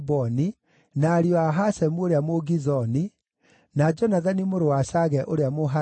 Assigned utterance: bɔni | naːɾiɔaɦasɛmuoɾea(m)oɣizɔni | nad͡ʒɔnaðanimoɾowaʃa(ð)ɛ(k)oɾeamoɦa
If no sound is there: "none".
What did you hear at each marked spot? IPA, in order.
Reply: m, ɣ, ʔ

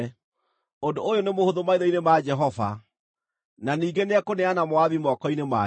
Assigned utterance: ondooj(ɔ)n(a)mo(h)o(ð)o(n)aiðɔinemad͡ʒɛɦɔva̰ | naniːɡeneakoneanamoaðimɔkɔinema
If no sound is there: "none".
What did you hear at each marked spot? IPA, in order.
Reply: o, e, h, ð, m

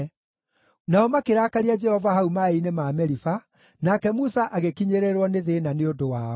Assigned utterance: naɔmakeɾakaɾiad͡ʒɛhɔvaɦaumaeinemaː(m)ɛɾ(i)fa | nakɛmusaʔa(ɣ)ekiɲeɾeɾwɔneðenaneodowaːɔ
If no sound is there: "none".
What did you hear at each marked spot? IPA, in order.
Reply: m, i, ɣ

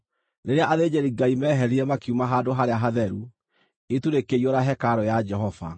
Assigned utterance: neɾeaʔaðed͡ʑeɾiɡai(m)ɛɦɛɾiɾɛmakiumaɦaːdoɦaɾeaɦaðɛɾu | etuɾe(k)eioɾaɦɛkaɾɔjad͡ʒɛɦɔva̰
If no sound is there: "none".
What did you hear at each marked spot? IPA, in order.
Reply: m, k

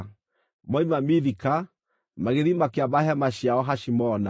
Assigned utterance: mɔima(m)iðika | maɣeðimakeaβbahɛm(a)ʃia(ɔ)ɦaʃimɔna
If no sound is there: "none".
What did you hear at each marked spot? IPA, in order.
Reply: m, a, ɔ

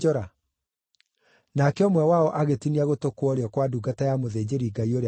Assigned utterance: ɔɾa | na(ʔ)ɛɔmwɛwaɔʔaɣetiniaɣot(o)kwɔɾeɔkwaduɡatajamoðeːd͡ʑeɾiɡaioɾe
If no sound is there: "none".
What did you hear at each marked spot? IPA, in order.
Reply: k, o

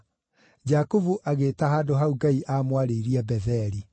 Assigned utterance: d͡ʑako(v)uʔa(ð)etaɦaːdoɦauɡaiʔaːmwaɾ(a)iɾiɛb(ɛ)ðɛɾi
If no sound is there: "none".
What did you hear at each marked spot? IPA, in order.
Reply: v, ɣ, e, ɛ

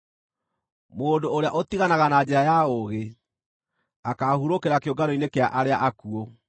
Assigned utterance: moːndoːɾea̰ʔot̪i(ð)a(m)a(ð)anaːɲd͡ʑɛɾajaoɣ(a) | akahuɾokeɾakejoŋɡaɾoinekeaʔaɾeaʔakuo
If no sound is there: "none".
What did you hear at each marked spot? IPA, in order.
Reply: ɣ, n, ɣ, e

